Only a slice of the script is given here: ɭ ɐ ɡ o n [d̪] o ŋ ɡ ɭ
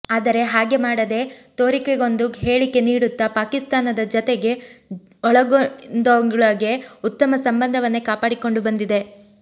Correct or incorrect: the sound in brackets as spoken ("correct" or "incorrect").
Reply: correct